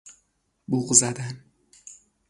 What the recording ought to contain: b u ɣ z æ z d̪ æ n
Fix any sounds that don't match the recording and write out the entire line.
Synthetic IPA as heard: b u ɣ z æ d̪ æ n